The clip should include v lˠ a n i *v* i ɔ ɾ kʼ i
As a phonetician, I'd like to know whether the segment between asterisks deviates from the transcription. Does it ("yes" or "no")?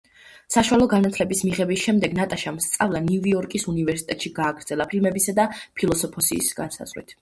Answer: no